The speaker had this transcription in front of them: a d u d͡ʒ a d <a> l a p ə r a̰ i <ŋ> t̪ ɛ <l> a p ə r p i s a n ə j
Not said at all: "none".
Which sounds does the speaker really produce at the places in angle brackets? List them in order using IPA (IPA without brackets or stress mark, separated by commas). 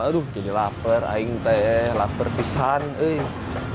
i, ŋ, l